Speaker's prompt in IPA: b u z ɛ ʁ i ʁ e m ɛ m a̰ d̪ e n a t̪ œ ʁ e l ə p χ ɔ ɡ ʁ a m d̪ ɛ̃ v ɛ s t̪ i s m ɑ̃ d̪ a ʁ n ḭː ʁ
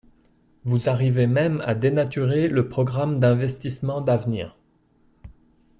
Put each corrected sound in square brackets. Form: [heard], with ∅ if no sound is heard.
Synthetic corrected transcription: [v] u z [a] ʁ i [v] e m ɛ m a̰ d̪ e n a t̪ [y] ʁ e l ə p χ ɔ ɡ ʁ a m d̪ ɛ̃ v ɛ s t̪ i s m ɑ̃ d̪ a [v] n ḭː ʁ